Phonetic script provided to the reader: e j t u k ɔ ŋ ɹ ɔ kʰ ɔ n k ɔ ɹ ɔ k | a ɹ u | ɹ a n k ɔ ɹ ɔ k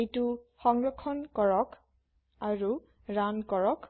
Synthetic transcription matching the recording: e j t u x ɔ ŋ ɹ ɔ kʰ ɔ n k ɔ ɹ ɔ k | a ɹ u | ɹ a n k ɔ ɹ ɔ k